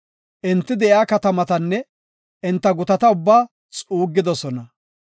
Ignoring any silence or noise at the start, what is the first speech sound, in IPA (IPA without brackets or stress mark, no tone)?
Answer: ʔ